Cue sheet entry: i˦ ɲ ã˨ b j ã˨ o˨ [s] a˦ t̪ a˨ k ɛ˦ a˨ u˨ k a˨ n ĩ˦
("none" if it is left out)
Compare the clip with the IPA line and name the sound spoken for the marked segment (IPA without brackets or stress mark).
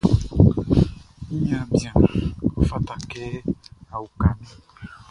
f